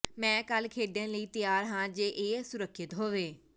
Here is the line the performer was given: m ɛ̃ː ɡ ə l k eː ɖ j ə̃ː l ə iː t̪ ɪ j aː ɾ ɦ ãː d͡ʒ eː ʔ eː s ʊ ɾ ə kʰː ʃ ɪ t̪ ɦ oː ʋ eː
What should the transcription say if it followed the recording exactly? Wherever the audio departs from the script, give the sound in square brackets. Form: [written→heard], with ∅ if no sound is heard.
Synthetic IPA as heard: m ɛ̃ː [ɡ→k] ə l [k→kʰ] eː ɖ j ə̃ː l ə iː t̪ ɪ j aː ɾ ɦ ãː d͡ʒ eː ʔ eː s ʊ ɾ ə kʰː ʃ ɪ t̪ ɦ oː ʋ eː

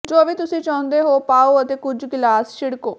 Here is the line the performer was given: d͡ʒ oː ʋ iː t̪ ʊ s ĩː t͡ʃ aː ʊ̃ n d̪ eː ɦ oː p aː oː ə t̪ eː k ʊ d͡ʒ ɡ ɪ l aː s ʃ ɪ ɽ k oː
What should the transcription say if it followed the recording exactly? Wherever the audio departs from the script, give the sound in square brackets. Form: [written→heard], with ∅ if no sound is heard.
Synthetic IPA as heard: d͡ʒ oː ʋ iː t̪ ʊ s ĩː t͡ʃ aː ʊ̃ n d̪ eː ɦ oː p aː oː ə t̪ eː k ʊ d͡ʒ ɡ ɪ l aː s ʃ ɪ ɽ k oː

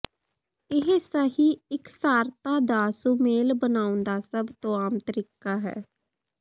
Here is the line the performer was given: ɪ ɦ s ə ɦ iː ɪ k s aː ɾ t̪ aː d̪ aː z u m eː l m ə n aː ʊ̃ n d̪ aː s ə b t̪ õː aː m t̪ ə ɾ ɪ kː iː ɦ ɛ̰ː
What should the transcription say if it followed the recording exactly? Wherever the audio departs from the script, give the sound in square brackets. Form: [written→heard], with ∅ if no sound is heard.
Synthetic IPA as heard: ɪ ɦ s ə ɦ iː ɪ k s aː ɾ t̪ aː d̪ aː [z→s] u m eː l [m→b] ə n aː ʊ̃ n d̪ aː s ə b t̪ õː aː m t̪ ə ɾ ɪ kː [iː→aː] ɦ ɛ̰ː

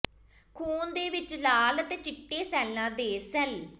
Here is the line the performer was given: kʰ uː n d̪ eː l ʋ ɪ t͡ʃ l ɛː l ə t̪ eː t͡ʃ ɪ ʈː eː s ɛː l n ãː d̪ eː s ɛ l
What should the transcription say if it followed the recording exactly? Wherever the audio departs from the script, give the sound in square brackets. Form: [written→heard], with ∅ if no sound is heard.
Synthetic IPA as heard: kʰ uː n d̪ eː [l→∅] ʋ ɪ t͡ʃ l [ɛː→aː] l ə t̪ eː t͡ʃ ɪ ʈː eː s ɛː l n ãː d̪ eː s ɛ l

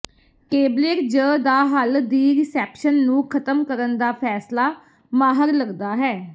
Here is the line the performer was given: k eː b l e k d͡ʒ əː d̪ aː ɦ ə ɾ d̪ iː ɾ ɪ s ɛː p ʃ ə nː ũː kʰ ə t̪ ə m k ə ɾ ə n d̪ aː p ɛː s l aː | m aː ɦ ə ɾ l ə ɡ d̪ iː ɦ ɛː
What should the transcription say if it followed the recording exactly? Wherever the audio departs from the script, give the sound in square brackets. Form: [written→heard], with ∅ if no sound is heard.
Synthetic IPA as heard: k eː b l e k d͡ʒ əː d̪ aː ɦ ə [ɾ→l] d̪ iː ɾ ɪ s ɛː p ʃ ə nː ũː kʰ ə t̪ ə m k ə ɾ ə n d̪ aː [p→pʰ] ɛː s l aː | m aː ɦ ə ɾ l ə ɡ d̪ [iː→aː] ɦ ɛː

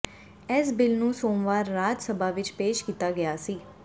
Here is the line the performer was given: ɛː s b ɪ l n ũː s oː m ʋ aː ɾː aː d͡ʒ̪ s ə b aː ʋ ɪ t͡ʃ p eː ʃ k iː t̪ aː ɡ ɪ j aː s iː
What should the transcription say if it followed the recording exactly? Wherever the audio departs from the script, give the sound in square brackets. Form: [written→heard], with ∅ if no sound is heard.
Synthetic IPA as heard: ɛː s b ɪ l n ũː s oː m ʋ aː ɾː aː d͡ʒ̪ s ə b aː ʋ ɪ t͡ʃ p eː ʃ k iː t̪ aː ɡ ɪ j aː s iː

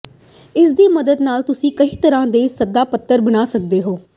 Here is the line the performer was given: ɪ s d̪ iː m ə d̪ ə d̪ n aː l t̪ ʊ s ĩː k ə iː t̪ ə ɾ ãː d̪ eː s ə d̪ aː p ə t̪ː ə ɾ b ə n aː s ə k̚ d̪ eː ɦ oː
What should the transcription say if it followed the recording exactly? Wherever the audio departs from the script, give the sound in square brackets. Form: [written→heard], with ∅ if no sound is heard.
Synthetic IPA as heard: ɪ s d̪ iː m ə d̪ ə d̪ n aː l t̪ ʊ s ĩː k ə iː t̪ ə ɾ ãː d̪ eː s ə d̪ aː p ə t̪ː ə ɾ b ə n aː s ə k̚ d̪ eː ɦ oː

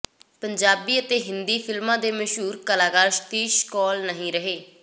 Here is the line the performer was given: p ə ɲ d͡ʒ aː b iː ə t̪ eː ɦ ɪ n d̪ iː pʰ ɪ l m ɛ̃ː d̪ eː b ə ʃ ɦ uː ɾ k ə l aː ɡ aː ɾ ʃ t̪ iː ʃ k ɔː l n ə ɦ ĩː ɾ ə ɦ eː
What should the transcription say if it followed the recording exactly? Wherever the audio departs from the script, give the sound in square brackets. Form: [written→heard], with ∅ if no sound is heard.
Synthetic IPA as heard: p ə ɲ d͡ʒ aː b iː ə t̪ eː ɦ ɪ n d̪ iː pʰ ɪ l m [ɛ̃ː→ãː] d̪ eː [b→m] ə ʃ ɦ uː ɾ k ə l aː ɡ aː ɾ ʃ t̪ iː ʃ k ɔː l n ə ɦ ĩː ɾ ə ɦ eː

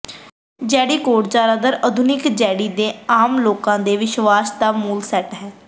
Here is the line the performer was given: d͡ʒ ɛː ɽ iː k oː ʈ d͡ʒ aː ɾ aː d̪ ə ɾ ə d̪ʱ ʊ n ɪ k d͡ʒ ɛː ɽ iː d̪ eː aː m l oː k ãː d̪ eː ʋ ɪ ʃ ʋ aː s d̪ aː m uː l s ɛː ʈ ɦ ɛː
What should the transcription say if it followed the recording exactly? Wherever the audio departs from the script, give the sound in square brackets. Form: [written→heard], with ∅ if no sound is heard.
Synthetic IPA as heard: d͡ʒ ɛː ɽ iː k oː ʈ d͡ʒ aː ɾ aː d̪ ə ɾ ə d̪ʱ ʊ n ɪ k d͡ʒ ɛː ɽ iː d̪ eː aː m l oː k ãː d̪ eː ʋ ɪ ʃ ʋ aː s d̪ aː m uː l s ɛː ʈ ɦ ɛː

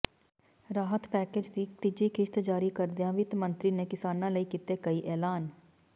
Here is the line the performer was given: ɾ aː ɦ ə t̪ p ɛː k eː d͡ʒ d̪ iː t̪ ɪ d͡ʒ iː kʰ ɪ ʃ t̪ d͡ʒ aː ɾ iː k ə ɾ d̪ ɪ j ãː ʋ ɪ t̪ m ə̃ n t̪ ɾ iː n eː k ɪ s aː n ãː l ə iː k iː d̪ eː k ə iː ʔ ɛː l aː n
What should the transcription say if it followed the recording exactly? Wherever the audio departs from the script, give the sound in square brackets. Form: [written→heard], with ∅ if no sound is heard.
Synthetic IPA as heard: ɾ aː ɦ ə t̪ p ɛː k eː d͡ʒ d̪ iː t̪ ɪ d͡ʒ iː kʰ ɪ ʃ t̪ d͡ʒ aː ɾ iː k ə ɾ d̪ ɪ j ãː ʋ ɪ t̪ m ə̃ n t̪ ɾ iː n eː k ɪ s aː n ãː l ə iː k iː [d̪→t̪] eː k ə iː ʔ ɛː l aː n

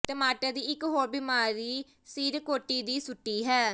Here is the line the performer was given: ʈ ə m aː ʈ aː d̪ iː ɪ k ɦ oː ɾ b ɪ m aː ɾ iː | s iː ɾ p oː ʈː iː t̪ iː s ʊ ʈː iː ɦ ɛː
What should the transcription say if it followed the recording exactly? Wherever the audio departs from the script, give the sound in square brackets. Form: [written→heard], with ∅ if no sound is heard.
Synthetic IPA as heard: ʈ ə m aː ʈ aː d̪ iː ɪ k ɦ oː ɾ b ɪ m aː ɾ iː | s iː ɾ [p→k] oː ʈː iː [t̪→d̪] iː s ʊ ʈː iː ɦ ɛː

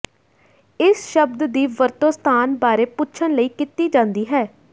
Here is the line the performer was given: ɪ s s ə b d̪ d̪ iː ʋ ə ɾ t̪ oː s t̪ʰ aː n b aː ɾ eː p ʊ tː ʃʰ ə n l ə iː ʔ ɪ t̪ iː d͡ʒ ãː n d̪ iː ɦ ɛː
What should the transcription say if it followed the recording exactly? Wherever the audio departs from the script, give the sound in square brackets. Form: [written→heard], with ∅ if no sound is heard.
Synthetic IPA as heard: ɪ s [s→ʃ] ə b d̪ d̪ iː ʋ ə ɾ t̪ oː s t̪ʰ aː n b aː ɾ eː p ʊ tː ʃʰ ə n l ə iː [ʔ→k] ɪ t̪ iː d͡ʒ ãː n d̪ iː ɦ ɛː

